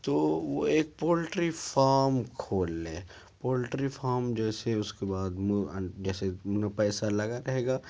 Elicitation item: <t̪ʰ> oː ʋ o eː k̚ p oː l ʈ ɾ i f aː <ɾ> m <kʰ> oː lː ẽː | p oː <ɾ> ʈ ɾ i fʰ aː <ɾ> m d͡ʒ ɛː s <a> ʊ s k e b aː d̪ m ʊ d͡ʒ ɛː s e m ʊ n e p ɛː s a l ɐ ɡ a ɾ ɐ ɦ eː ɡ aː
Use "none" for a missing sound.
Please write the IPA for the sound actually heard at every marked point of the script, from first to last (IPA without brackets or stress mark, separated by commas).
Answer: t̪, ɾ, kʰ, l, ɾ, e